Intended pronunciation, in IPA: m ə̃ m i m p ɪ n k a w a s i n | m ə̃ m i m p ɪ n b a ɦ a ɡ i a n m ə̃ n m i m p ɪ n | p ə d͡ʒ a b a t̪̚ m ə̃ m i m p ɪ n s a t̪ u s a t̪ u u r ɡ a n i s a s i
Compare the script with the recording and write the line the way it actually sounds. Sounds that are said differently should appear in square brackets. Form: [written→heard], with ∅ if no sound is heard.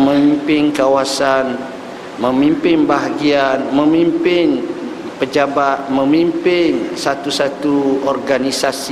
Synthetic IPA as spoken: m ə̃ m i m p ɪ n k a w a s [i→a] n | m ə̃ m i m p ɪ n b a ɦ a ɡ i a n m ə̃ [n→∅] m i m p ɪ n | p ə d͡ʒ a b a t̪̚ m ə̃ m i m p ɪ n s a t̪ u s a t̪ u [u→ɔ] r ɡ a n i s a s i